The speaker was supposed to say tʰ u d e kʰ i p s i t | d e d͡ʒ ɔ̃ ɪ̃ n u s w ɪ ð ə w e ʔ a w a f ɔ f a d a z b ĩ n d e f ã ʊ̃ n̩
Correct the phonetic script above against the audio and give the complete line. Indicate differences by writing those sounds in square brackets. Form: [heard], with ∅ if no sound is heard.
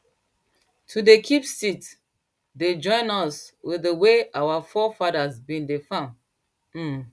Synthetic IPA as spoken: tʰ u d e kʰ i p s i t | d e d͡ʒ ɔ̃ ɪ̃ n [ɔ] s w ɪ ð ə w e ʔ a w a f ɔ f a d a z b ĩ n d e f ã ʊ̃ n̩